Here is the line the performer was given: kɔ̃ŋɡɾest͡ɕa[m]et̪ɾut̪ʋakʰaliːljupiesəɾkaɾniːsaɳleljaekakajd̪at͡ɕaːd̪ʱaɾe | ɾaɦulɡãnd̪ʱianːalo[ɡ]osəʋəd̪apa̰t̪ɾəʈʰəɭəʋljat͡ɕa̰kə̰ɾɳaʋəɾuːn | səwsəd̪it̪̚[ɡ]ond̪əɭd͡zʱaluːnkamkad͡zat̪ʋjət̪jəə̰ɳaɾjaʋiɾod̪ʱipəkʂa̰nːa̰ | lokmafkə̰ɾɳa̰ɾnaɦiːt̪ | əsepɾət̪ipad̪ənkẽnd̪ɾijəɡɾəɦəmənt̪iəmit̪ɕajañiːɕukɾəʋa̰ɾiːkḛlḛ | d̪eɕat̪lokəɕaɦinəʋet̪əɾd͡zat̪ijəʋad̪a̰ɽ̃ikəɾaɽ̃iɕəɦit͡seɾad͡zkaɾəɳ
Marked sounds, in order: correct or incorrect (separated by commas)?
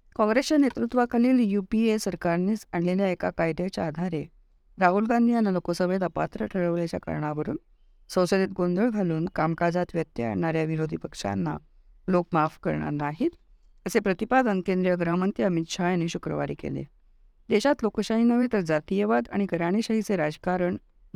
incorrect, incorrect, correct